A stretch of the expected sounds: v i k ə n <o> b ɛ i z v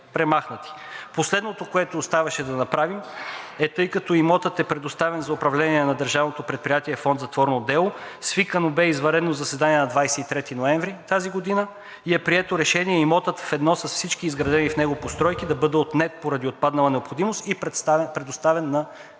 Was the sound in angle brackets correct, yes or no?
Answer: yes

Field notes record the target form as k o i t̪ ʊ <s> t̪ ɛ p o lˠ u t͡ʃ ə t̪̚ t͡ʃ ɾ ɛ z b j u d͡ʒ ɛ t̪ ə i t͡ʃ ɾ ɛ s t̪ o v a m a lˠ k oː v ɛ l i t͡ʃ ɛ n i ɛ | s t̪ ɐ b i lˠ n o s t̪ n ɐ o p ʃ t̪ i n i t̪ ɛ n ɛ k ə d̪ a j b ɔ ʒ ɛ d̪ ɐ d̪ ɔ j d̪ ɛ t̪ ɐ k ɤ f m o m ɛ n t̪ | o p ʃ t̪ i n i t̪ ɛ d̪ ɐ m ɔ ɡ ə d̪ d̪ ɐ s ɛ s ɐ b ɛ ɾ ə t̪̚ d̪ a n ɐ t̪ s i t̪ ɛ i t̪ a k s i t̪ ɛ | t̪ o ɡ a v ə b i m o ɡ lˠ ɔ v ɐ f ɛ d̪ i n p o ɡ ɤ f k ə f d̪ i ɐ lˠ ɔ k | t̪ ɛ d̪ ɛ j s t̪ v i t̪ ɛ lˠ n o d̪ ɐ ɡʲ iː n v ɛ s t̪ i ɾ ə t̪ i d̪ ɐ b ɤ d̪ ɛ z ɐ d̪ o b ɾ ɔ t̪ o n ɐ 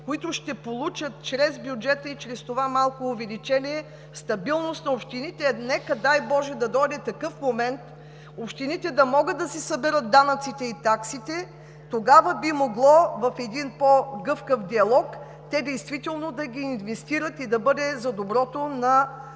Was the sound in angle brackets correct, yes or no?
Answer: no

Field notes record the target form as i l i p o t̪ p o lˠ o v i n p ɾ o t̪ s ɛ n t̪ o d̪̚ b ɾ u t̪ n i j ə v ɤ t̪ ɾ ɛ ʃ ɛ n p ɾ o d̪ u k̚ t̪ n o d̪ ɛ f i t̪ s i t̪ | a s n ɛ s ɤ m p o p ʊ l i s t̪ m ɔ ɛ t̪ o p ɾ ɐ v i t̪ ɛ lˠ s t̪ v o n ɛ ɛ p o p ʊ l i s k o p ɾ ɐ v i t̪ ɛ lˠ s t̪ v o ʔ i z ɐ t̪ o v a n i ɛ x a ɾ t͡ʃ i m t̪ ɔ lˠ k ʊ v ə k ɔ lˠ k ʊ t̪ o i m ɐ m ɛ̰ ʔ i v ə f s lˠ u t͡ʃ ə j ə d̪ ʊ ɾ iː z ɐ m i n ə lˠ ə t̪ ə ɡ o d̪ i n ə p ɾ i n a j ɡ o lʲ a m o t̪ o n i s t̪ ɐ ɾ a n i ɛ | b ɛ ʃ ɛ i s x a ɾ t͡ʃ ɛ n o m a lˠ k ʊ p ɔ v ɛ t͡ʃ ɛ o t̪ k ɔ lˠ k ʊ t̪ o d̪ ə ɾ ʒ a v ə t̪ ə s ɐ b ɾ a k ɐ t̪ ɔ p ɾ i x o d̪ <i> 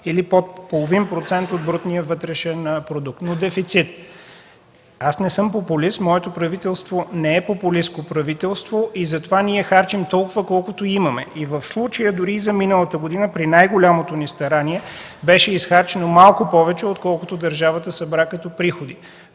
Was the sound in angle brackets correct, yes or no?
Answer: yes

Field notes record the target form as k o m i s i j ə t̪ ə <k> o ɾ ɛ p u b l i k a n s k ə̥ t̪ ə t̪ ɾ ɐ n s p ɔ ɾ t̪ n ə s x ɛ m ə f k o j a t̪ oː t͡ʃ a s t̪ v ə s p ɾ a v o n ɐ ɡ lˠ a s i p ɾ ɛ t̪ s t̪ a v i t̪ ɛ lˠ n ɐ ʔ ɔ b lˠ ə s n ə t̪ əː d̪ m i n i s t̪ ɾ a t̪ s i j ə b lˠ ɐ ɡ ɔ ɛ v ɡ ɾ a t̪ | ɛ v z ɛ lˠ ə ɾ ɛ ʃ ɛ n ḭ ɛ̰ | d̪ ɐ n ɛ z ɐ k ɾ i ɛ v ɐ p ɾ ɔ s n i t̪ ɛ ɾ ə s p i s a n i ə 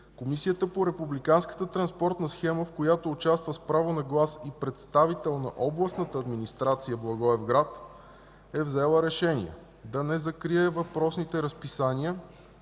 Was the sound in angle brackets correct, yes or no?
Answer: no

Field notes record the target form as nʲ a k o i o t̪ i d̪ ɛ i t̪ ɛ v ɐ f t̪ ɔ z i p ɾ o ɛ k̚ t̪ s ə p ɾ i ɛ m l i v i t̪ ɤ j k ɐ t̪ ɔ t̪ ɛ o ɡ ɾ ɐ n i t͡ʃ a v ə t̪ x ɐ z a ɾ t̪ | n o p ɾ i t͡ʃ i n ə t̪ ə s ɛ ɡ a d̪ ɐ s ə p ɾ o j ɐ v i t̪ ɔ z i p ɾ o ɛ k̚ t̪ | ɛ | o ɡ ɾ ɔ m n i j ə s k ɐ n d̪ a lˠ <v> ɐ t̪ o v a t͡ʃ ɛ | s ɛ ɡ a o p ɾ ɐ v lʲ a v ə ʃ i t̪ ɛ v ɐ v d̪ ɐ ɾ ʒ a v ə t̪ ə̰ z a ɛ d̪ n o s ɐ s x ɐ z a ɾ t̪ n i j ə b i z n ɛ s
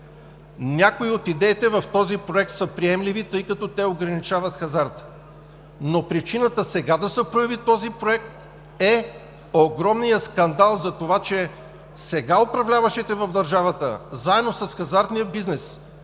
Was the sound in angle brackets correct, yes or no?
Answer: no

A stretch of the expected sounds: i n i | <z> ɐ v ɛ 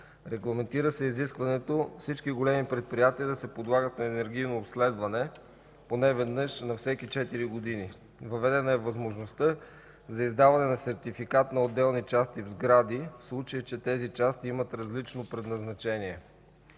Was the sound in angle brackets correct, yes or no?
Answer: no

